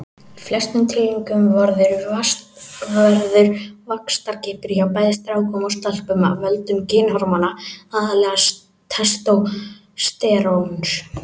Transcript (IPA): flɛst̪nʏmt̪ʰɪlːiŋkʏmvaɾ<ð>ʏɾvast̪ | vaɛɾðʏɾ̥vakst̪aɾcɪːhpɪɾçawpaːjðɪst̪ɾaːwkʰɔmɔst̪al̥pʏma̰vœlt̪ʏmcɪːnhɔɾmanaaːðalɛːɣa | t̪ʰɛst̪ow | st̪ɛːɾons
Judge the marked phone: correct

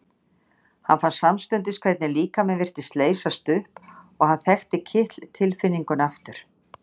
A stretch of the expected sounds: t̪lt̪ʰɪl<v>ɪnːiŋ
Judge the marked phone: incorrect: f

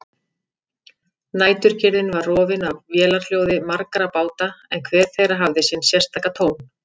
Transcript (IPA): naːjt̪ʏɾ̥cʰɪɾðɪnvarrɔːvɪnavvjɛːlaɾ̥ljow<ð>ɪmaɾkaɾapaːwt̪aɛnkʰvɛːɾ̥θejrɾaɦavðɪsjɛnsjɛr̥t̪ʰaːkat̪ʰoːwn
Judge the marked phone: correct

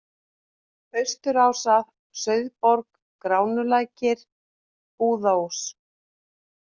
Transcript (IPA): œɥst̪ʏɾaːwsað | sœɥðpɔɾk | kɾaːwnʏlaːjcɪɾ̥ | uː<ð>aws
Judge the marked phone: correct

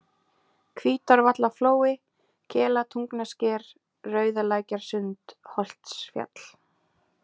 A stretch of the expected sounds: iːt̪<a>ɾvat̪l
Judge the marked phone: correct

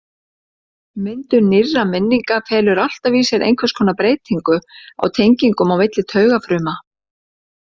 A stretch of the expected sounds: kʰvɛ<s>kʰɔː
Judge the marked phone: correct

